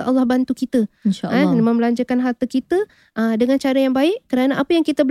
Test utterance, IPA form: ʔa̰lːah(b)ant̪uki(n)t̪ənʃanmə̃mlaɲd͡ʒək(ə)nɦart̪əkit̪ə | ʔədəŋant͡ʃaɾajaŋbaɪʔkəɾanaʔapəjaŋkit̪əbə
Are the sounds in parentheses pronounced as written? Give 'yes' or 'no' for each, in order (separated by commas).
yes, no, no